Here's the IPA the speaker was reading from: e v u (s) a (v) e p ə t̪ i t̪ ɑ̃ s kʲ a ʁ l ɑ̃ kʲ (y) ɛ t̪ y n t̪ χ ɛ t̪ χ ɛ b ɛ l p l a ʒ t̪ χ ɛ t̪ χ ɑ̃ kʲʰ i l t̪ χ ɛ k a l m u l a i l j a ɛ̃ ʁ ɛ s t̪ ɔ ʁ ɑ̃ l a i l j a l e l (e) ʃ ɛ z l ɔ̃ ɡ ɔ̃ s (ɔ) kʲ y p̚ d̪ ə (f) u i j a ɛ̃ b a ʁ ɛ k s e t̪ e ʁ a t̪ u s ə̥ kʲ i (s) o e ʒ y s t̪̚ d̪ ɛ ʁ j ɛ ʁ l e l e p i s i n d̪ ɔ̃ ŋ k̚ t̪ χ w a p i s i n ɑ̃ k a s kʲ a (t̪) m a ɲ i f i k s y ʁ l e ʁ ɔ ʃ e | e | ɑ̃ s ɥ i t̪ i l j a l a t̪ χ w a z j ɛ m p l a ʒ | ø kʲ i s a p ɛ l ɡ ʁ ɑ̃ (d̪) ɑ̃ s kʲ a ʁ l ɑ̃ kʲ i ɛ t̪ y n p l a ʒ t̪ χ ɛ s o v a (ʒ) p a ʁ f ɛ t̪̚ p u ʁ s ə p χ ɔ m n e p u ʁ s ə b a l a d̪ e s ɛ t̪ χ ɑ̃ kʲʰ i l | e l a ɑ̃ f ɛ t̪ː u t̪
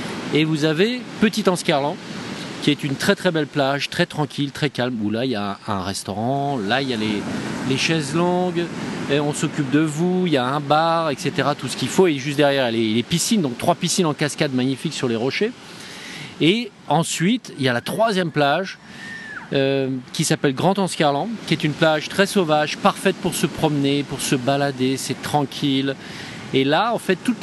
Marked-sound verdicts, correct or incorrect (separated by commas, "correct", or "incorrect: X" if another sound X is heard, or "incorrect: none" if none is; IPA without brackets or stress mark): incorrect: z, correct, incorrect: i, correct, correct, incorrect: v, incorrect: f, incorrect: d̪, incorrect: t̪, correct